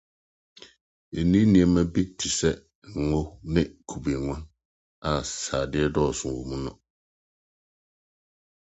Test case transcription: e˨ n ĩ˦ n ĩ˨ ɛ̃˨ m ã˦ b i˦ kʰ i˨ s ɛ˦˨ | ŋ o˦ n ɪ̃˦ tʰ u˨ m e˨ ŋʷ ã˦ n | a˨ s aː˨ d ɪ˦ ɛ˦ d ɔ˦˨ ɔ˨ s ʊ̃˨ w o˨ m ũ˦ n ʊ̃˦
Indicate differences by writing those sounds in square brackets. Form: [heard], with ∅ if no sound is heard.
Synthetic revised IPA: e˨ n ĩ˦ n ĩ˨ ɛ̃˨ m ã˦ b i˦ [tʰ] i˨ s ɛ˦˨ | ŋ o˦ n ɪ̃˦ [kʰ] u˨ [b] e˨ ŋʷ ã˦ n | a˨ s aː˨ d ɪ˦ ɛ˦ d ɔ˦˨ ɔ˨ s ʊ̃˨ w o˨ m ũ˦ n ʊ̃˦